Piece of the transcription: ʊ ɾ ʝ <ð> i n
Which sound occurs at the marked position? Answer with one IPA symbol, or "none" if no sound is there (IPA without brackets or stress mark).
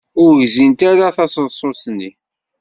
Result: z